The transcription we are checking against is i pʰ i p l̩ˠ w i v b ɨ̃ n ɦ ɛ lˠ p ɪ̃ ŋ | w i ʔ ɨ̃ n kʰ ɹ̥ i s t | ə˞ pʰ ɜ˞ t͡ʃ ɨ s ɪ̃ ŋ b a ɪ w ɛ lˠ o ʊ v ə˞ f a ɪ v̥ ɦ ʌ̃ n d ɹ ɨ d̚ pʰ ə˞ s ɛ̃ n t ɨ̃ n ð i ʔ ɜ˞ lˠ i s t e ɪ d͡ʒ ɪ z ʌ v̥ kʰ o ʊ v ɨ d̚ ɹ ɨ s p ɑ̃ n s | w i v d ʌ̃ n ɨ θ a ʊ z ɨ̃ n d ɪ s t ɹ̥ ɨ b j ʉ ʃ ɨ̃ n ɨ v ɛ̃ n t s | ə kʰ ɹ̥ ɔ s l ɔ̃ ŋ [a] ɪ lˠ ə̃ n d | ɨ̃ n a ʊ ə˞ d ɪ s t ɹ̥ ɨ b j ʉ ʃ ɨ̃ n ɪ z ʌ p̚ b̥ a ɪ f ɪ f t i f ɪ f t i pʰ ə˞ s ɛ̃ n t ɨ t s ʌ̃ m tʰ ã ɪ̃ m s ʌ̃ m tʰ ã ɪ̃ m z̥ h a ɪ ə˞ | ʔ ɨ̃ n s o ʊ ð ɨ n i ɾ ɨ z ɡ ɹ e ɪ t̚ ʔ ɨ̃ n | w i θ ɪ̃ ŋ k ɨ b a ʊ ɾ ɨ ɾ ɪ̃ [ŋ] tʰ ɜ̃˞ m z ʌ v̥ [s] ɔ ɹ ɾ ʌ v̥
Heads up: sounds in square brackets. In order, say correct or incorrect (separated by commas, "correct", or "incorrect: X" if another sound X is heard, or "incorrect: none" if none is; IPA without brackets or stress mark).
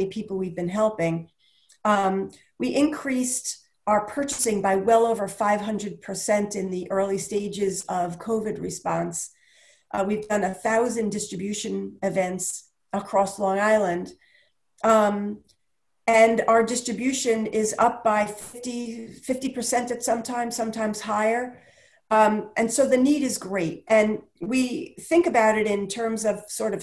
correct, incorrect: n, correct